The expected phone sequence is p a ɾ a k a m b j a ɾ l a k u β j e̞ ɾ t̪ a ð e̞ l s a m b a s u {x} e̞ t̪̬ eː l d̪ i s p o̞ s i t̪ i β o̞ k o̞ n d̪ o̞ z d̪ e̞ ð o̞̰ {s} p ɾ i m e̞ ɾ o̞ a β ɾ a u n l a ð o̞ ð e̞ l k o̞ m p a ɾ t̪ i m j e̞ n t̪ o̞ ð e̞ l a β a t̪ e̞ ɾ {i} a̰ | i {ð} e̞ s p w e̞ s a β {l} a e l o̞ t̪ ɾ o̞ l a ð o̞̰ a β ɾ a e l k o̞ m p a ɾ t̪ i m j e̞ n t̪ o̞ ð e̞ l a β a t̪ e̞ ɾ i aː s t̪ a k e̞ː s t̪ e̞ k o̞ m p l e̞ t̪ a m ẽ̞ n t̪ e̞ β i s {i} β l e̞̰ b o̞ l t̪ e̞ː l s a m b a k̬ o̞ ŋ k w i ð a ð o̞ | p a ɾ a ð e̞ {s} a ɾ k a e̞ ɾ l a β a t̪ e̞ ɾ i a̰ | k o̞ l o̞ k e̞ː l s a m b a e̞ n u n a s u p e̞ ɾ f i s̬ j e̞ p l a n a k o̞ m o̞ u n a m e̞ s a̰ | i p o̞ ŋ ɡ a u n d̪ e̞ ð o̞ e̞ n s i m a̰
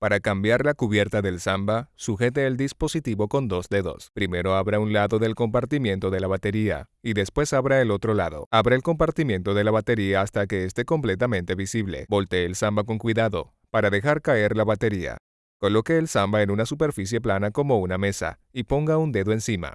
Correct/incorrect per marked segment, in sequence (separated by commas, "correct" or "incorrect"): correct, correct, correct, correct, incorrect, correct, incorrect